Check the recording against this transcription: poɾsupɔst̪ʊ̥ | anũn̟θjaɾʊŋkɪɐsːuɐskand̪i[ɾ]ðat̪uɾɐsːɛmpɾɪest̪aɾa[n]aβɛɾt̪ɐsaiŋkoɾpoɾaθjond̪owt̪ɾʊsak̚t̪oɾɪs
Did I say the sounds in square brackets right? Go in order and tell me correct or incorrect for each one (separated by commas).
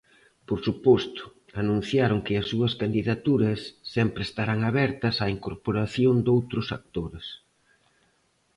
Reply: incorrect, incorrect